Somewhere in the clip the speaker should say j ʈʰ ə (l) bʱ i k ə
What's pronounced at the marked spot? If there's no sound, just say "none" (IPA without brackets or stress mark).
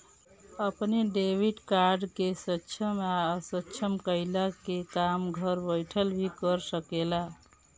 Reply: l